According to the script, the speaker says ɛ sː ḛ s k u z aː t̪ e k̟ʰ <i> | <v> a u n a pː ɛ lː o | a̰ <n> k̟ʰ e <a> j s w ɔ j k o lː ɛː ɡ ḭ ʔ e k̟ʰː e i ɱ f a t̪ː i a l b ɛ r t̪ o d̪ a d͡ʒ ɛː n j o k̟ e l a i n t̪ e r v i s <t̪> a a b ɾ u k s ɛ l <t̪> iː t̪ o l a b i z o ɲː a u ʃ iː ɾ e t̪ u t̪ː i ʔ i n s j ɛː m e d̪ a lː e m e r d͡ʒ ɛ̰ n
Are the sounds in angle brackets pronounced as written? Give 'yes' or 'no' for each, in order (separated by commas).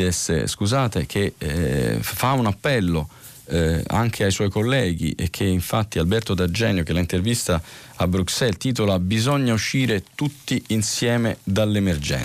no, no, no, yes, yes, yes